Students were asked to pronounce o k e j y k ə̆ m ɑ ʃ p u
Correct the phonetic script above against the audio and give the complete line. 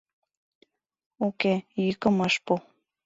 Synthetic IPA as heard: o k e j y k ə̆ m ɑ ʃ p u